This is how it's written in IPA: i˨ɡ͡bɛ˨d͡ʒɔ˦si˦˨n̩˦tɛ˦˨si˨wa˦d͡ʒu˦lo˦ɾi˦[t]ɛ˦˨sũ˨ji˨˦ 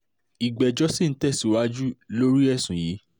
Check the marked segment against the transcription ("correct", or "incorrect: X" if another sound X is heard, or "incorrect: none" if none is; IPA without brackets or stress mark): incorrect: none